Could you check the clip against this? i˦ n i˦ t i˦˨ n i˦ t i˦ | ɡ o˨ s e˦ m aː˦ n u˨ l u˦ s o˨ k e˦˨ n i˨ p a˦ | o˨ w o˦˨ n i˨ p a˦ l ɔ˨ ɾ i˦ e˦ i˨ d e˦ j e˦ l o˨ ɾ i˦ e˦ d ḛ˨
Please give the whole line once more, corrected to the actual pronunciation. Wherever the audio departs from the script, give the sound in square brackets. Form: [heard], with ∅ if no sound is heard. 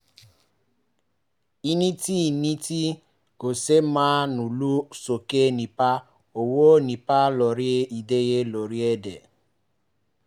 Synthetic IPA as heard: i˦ n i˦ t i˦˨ n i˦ t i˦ | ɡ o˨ s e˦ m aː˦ n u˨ l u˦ s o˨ k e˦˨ n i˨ p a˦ | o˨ w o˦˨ n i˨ p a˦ l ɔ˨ ɾ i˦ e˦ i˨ d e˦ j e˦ l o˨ ɾ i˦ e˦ d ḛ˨